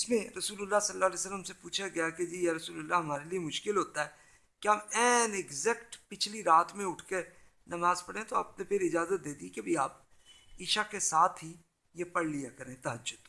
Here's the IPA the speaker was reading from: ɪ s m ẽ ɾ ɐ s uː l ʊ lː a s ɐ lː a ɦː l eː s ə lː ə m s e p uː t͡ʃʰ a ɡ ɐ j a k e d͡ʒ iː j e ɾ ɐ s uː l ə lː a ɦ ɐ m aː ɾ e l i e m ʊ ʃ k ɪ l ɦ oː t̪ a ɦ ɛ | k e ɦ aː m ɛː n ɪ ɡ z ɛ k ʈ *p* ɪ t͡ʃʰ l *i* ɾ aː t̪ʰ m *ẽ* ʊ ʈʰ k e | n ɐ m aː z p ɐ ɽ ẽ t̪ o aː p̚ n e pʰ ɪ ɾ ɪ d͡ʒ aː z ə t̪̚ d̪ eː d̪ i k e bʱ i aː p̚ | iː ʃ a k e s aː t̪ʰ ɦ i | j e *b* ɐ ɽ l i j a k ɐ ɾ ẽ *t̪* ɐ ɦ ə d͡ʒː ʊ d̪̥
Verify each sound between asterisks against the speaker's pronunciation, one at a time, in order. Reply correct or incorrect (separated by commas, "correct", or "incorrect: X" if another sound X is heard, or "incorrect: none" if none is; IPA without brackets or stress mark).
correct, correct, correct, incorrect: p, correct